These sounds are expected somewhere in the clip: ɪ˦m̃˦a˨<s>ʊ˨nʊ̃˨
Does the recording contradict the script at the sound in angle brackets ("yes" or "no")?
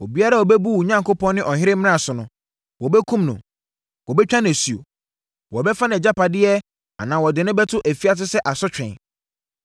no